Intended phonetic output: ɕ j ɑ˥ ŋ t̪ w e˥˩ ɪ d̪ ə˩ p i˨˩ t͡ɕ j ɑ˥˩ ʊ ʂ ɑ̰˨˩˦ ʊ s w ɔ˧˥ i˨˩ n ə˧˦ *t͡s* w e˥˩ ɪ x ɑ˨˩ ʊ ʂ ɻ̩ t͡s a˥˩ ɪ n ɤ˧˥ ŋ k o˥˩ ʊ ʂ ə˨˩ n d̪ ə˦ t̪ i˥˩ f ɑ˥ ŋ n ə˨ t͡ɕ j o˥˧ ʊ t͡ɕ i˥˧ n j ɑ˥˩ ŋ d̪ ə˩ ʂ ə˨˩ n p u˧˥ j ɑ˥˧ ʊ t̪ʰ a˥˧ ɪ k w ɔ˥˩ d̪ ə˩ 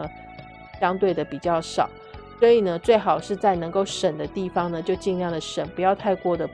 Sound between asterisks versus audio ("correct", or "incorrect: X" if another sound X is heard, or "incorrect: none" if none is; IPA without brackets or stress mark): correct